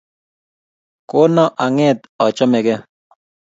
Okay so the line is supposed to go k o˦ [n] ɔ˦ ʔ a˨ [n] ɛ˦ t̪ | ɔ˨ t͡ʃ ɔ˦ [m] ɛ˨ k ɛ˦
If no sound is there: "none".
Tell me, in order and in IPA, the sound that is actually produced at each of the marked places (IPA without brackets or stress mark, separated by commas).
n, ŋ, m